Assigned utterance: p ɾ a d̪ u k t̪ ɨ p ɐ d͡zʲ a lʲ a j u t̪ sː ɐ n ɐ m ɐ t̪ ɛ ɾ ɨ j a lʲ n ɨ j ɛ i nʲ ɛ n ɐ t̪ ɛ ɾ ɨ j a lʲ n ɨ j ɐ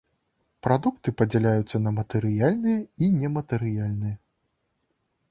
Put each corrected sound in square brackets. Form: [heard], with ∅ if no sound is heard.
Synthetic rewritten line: p ɾ a d̪ u k t̪ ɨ p ɐ d͡zʲ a lʲ a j u t̪ sː ɐ n ɐ m ɐ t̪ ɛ ɾ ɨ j a lʲ n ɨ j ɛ i nʲ ɛ [m] ɐ t̪ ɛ ɾ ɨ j a lʲ n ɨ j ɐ